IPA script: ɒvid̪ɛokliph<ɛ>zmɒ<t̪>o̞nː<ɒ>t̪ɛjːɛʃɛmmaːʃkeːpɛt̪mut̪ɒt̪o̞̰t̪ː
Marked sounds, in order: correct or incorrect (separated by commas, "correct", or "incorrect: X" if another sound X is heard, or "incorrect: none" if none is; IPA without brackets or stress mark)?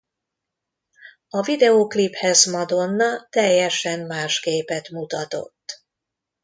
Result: correct, incorrect: d̪, correct